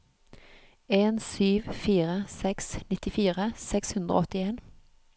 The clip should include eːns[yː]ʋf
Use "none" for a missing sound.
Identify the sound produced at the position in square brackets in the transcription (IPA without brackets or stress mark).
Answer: yː